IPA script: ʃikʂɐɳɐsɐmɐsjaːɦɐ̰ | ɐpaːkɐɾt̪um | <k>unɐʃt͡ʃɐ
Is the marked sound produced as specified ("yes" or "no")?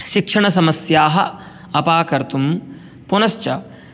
no